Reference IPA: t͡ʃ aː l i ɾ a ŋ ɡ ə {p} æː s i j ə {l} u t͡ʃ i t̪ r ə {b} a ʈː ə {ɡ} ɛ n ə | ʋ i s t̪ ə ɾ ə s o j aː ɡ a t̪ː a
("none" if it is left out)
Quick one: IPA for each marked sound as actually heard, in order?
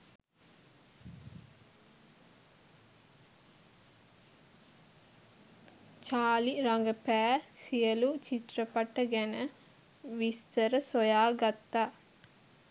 p, l, p, ɡ

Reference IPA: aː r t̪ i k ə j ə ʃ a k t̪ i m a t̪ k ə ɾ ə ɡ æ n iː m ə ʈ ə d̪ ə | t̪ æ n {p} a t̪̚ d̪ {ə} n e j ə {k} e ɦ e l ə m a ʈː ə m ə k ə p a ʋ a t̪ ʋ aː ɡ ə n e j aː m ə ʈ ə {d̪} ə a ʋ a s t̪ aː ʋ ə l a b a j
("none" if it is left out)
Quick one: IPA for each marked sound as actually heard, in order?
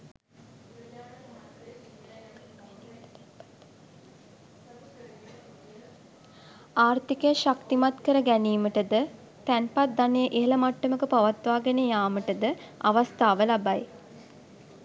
p, a, ʔ, d̪

